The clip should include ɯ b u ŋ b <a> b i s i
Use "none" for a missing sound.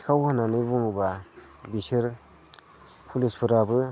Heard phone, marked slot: a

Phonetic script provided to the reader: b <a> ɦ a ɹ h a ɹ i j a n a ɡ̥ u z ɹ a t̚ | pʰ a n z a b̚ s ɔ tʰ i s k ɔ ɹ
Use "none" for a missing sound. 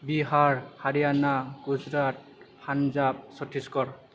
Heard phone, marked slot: i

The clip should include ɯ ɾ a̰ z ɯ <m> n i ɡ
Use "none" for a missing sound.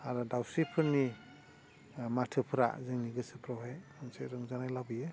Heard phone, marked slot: ŋ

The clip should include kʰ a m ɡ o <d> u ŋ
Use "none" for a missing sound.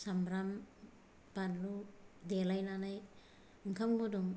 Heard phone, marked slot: d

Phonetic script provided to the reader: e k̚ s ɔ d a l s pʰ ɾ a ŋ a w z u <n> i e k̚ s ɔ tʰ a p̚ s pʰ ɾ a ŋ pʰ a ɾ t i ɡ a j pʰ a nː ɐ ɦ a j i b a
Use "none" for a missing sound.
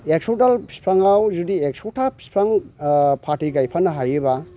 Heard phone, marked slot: d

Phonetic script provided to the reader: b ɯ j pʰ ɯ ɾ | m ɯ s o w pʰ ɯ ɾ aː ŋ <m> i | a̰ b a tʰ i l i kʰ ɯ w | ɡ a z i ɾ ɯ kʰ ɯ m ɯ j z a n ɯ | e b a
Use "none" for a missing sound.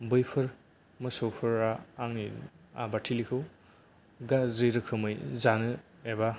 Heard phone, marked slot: n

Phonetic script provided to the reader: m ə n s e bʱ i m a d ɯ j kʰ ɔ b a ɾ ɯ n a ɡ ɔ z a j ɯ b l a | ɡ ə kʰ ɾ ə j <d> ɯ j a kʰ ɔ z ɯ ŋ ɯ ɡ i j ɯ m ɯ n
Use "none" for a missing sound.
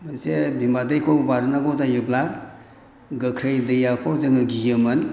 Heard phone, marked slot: d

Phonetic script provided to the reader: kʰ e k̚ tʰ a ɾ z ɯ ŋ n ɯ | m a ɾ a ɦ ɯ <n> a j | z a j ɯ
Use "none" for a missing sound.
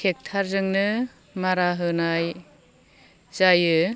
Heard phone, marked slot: n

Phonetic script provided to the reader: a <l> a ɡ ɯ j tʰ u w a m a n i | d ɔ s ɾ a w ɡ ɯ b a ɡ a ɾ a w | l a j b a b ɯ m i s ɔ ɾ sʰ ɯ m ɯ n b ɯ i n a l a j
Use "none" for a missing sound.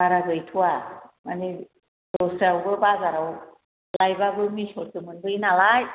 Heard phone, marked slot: ɾ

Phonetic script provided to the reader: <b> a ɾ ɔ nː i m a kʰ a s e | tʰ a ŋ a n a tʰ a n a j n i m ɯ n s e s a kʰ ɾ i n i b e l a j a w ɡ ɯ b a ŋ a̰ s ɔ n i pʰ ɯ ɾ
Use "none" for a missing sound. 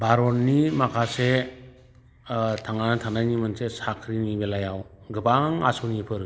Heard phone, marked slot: b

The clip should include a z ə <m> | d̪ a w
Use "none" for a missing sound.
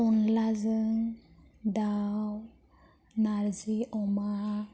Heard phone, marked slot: ŋ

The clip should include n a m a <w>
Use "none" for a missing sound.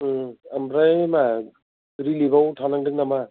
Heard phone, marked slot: none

